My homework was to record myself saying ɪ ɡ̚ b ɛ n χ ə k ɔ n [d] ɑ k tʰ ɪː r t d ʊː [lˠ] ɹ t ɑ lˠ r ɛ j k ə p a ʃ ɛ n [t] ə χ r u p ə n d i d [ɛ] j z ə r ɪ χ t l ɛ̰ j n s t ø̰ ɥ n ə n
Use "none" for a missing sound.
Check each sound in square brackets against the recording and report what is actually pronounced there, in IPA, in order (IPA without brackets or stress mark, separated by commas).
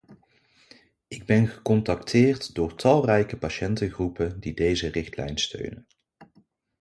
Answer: t, none, t, e